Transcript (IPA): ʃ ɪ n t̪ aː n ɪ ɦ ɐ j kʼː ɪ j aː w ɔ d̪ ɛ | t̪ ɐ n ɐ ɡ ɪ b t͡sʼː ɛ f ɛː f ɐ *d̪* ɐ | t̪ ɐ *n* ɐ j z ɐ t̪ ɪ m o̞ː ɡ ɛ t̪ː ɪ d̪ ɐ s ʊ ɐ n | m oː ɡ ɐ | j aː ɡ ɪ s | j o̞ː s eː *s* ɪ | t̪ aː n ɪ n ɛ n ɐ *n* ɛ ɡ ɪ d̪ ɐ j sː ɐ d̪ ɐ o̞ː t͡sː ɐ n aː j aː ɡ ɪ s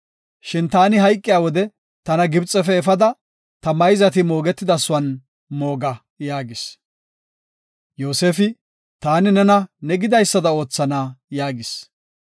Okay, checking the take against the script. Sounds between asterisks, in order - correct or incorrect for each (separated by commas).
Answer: correct, incorrect, incorrect, correct